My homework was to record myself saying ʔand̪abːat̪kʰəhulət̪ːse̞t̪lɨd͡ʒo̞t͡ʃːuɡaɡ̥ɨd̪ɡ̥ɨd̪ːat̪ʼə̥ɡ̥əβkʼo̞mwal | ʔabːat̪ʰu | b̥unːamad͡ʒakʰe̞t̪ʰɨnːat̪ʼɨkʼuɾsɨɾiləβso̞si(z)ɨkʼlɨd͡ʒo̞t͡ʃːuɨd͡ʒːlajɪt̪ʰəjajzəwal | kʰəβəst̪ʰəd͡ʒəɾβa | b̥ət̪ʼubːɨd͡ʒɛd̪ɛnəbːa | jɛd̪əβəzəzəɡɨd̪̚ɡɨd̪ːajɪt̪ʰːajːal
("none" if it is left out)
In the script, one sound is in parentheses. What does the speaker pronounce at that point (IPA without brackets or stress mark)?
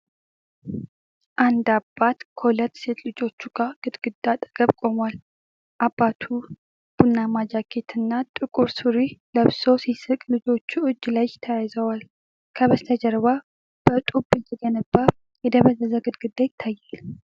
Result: s